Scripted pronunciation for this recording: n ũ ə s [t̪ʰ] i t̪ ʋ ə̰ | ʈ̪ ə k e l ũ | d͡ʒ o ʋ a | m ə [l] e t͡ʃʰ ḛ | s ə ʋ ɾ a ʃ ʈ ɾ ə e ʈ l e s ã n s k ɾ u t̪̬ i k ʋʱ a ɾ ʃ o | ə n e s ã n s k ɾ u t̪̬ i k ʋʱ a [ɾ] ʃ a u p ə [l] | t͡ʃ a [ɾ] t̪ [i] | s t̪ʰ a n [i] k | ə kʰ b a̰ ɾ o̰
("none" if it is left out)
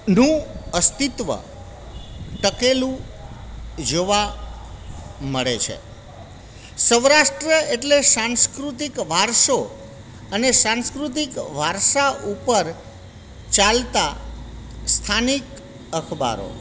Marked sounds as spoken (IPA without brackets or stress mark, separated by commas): t̪, ɭ, ɾ, ɾ, l, a, i